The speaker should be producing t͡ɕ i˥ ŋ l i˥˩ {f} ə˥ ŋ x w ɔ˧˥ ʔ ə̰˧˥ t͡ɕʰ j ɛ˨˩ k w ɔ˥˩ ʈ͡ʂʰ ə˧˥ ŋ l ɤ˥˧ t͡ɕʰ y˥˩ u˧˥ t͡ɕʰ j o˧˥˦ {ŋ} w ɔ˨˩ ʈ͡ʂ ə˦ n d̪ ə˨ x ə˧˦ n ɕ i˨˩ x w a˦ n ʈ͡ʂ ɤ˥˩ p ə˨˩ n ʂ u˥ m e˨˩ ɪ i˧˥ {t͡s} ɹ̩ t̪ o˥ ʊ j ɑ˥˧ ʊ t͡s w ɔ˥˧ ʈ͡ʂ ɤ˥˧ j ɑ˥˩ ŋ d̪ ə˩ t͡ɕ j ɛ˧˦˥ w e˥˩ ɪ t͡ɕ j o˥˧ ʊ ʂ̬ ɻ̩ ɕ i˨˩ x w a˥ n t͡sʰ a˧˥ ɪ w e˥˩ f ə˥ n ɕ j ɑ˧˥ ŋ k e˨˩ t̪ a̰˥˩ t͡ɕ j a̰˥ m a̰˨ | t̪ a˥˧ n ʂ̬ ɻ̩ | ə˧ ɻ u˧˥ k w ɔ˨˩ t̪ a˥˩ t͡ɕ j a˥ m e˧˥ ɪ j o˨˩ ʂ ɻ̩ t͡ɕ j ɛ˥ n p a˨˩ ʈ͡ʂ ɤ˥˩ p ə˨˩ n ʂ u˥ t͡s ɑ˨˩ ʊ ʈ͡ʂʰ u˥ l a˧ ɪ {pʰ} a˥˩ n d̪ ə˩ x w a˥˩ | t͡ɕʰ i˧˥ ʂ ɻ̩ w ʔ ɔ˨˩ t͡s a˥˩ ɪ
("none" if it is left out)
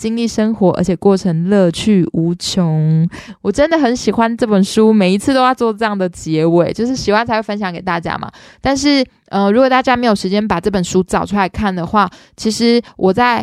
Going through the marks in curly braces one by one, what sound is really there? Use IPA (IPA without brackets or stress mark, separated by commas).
ʂ, ŋ, t͡sʰ, kʰ